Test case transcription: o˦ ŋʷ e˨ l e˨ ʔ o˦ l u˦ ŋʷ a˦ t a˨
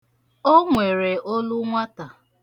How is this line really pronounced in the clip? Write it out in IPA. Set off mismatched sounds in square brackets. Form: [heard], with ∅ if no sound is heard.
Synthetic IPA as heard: o˦ ŋʷ e˨ [ɾ] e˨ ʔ o˦ l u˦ ŋʷ a˦ t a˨